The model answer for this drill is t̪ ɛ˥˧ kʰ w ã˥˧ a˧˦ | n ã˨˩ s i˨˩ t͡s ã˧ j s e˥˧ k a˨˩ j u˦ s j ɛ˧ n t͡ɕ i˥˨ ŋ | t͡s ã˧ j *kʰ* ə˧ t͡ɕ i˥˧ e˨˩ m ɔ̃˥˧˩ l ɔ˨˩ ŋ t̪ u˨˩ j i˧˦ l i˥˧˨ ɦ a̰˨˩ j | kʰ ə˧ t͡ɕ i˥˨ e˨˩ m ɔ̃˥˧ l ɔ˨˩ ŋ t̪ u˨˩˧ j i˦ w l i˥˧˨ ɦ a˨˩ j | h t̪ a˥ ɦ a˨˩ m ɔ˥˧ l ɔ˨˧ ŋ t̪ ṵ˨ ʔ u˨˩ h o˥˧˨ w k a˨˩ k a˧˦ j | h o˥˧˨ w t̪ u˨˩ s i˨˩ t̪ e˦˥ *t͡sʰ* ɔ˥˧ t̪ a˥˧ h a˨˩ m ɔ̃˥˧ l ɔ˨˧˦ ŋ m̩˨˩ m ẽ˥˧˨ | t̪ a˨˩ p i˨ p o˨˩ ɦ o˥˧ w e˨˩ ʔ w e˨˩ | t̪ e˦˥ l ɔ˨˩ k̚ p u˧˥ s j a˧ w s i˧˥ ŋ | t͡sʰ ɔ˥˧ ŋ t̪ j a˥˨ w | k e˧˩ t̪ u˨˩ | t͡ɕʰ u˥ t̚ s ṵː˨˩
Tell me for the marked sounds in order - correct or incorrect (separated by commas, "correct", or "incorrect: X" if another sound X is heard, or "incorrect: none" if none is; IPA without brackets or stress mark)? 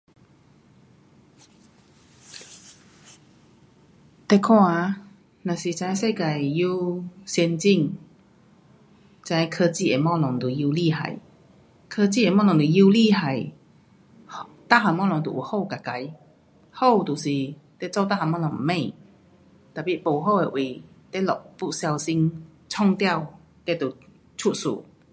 correct, incorrect: t͡s